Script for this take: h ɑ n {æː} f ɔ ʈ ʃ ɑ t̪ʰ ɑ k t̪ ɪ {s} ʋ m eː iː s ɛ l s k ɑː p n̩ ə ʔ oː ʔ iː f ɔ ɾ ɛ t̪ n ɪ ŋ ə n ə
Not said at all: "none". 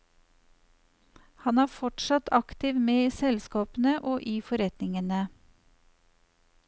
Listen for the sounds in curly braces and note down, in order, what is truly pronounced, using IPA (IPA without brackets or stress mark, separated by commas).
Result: æː, none